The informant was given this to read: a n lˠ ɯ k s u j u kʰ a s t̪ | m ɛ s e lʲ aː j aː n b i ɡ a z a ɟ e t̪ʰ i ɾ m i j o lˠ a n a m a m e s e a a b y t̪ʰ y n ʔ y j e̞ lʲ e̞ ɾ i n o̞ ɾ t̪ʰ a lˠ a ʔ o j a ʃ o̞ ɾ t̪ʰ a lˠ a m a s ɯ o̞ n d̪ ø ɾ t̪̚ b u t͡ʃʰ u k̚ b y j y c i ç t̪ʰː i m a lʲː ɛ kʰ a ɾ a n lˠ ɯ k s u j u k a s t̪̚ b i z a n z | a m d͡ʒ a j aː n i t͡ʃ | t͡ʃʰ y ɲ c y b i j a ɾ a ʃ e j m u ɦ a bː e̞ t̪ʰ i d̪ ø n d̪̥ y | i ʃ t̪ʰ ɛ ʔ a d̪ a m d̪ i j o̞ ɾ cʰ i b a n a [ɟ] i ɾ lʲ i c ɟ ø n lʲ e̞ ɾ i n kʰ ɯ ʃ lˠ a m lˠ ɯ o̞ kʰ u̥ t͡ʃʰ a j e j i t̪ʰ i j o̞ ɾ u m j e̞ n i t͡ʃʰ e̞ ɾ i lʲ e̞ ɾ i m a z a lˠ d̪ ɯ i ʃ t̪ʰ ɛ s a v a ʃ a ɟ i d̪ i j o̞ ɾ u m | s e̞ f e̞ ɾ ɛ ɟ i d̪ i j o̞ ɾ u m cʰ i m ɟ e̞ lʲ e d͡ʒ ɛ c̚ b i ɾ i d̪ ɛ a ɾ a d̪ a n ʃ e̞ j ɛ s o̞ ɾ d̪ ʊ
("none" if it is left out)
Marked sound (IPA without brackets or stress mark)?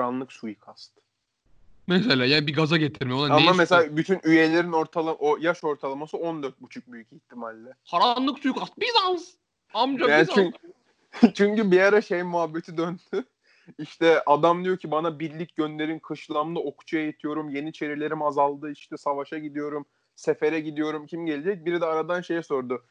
b